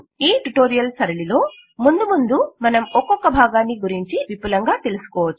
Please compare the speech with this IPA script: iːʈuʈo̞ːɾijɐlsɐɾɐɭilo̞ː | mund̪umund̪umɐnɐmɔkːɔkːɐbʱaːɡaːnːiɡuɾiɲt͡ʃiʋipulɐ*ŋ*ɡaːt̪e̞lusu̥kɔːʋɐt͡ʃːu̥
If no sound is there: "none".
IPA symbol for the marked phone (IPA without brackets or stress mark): ŋ